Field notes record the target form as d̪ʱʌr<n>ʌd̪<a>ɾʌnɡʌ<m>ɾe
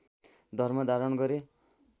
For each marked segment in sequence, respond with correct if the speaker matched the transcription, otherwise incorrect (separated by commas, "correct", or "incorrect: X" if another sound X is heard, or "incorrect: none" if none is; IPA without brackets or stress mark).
incorrect: m, correct, incorrect: none